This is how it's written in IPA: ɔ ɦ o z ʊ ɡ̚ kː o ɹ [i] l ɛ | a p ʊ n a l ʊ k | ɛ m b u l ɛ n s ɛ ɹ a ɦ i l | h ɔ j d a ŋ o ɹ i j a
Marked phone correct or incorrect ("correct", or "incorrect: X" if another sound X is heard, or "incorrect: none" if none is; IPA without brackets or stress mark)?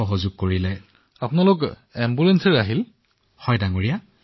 correct